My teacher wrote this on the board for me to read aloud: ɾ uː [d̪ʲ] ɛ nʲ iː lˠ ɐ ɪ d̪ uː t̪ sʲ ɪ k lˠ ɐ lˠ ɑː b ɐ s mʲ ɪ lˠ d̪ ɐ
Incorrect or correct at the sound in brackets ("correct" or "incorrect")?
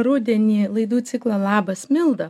correct